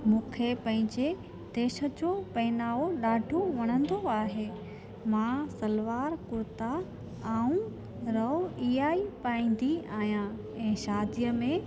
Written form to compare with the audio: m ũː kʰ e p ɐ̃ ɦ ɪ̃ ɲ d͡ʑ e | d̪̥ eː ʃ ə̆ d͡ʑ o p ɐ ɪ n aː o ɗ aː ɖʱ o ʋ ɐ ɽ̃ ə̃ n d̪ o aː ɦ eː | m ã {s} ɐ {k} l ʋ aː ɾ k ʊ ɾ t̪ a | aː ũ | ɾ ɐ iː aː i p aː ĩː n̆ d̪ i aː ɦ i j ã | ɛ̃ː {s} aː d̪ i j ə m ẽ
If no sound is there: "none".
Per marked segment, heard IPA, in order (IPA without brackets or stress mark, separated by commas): s, none, ʃ